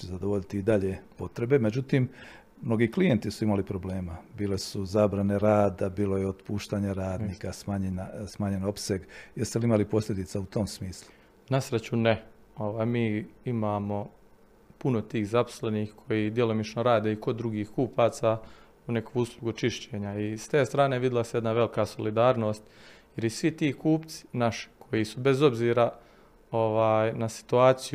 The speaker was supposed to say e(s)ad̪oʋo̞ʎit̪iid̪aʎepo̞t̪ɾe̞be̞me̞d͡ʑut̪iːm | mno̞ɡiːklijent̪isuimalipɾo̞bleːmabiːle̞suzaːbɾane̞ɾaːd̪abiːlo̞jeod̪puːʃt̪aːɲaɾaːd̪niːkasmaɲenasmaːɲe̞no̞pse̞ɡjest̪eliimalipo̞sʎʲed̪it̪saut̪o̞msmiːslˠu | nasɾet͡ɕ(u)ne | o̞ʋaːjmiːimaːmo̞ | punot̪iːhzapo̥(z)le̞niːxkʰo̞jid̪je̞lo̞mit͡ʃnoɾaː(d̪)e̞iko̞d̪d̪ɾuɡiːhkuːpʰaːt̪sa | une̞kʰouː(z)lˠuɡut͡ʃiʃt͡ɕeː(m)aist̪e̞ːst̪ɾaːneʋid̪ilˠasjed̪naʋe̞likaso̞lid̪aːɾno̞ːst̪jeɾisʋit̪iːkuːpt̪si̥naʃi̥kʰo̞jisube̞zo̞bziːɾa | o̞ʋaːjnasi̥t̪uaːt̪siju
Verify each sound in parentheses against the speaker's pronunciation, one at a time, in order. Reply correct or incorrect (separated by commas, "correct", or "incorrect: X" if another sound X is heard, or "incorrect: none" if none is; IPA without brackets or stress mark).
incorrect: z, correct, incorrect: s, correct, incorrect: s, incorrect: ɲ